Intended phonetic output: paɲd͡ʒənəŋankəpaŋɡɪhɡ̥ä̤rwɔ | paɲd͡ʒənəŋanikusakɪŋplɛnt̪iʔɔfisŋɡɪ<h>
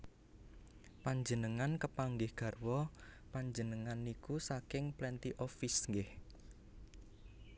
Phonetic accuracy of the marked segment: correct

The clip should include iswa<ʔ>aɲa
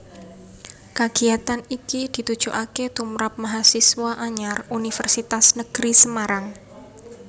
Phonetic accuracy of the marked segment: correct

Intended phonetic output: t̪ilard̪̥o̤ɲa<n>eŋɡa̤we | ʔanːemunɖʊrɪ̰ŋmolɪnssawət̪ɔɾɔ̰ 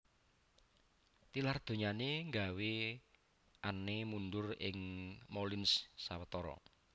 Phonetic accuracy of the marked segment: correct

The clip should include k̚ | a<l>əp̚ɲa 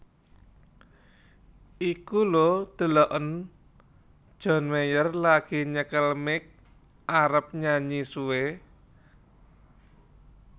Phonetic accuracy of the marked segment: incorrect: ɾ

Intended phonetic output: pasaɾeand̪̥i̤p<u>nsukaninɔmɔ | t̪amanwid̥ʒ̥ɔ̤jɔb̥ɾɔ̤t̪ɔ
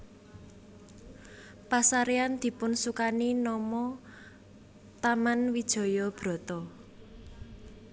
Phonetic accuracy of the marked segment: incorrect: ʊ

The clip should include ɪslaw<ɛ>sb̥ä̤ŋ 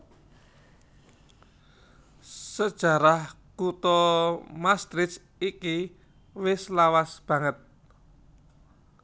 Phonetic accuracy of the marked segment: incorrect: a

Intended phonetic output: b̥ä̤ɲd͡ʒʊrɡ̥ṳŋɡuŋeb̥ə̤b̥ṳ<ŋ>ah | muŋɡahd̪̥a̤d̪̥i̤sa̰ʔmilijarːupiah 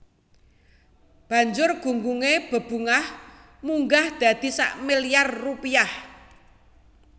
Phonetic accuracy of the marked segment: correct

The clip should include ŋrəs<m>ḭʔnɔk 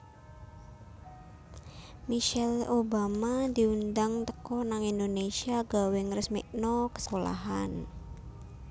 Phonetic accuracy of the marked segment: correct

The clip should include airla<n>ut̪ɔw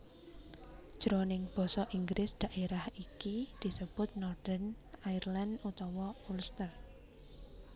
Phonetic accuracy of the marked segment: correct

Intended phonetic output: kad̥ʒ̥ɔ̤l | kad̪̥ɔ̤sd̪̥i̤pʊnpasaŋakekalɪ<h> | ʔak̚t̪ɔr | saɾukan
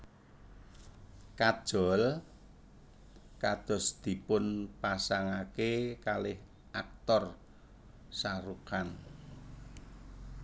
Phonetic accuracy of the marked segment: correct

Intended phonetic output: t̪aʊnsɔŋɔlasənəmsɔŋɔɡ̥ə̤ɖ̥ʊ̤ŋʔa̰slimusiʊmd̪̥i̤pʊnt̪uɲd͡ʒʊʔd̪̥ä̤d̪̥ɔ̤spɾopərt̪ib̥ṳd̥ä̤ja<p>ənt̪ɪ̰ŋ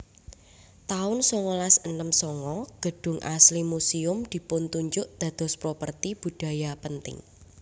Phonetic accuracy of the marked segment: correct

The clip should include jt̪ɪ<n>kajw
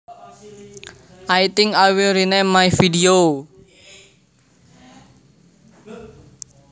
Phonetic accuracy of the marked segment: incorrect: ŋ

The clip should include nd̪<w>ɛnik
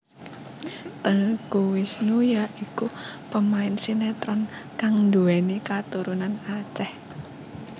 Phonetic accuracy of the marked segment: incorrect: u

